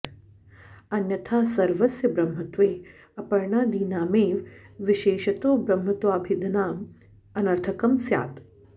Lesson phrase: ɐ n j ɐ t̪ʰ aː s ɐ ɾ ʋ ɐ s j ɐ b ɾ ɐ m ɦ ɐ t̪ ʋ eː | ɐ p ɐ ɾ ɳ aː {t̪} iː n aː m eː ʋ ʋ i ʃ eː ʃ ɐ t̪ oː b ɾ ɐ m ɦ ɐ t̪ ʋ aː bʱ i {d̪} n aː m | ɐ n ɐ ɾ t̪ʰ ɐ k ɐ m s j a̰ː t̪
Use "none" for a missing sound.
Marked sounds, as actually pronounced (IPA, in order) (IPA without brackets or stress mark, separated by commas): d̪, d̪